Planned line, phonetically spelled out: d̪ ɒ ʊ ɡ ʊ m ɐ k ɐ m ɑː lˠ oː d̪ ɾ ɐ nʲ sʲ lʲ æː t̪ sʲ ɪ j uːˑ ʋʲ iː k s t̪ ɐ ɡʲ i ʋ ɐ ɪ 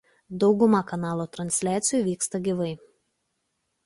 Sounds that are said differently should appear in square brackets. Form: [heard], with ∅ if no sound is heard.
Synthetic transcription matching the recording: d̪ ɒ ʊ ɡ ʊ m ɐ k ɐ [n] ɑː lˠ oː [t̪] ɾ ɐ nʲ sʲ lʲ æː t̪ sʲ ɪ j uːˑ ʋʲ iː k s t̪ ɐ ɡʲ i ʋ ɐ ɪ